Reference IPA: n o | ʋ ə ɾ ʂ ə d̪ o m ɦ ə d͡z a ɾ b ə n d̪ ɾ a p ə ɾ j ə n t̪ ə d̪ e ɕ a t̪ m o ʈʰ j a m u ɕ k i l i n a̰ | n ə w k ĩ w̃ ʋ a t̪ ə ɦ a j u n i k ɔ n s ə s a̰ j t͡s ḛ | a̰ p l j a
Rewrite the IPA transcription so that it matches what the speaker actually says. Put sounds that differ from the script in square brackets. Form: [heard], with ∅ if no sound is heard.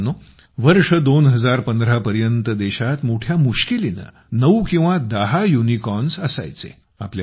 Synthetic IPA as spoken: n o | ʋ ə ɾ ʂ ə d̪ o [n] ɦ ə d͡z a ɾ [p] ə n d̪ ɾ a p ə ɾ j ə n t̪ ə d̪ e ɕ a t̪ m o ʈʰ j a m u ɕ k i l i n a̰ | n ə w k ĩ w̃ ʋ a [d̪] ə ɦ a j u n i k ɔ n s ə s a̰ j t͡s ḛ | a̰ p l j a